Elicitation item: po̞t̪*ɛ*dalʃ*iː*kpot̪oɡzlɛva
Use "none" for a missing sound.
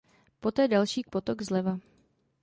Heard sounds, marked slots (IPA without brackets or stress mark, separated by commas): ɛː, iː